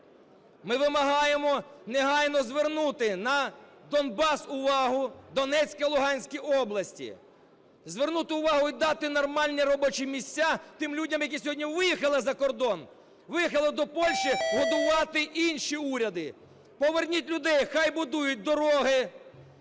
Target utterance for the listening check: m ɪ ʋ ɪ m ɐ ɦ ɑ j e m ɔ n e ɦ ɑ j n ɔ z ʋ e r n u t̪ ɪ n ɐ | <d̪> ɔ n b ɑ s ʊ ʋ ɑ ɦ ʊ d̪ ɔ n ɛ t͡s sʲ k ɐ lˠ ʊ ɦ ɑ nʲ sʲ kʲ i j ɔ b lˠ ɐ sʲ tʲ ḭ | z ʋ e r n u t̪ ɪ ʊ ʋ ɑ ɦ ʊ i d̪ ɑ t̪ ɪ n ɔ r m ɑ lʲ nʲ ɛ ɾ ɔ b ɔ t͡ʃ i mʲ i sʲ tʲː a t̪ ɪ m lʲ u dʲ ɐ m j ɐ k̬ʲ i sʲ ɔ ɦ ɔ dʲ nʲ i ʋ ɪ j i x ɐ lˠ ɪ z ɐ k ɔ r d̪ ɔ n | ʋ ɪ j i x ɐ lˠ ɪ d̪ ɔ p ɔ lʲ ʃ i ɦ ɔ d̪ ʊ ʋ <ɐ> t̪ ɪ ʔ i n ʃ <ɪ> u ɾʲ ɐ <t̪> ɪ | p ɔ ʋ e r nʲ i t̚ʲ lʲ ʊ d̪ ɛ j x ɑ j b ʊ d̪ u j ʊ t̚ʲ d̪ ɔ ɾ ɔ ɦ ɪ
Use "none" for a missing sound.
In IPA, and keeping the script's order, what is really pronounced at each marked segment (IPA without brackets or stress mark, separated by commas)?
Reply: d̪, ɑ, i, d̪